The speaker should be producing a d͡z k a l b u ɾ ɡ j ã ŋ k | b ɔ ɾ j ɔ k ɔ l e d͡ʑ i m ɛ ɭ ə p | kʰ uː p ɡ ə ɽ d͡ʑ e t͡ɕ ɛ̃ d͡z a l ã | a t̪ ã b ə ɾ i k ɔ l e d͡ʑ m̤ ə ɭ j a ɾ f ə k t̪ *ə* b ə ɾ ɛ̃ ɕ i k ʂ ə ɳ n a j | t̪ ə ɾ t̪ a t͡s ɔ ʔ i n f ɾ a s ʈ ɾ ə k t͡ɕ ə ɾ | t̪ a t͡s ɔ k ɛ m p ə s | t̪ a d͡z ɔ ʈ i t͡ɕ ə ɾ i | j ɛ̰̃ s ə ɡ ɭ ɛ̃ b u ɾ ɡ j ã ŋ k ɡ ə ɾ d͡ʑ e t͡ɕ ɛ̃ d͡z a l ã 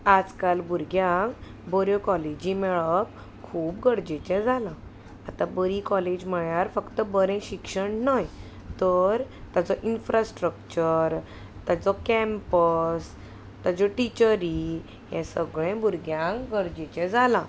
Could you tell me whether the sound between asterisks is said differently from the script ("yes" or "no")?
no